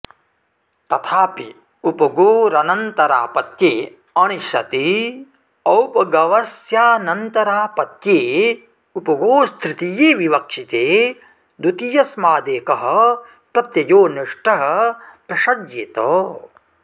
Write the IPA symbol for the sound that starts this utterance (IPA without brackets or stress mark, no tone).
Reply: t̪